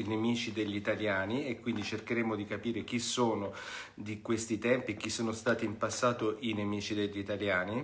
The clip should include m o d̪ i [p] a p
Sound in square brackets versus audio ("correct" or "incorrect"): incorrect